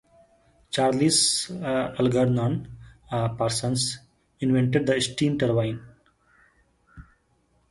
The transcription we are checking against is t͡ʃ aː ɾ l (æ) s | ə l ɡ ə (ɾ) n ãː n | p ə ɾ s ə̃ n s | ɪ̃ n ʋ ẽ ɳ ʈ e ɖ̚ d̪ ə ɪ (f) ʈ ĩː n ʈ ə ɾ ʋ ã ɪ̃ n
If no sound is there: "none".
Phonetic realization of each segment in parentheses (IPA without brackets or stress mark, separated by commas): i, ɾ, s